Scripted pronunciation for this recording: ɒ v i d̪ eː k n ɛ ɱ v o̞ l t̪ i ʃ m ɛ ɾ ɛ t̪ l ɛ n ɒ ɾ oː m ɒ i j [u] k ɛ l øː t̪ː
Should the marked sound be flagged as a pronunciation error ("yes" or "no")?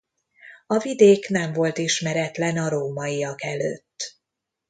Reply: yes